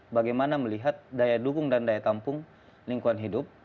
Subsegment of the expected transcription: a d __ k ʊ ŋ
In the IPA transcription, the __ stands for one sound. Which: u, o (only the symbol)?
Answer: u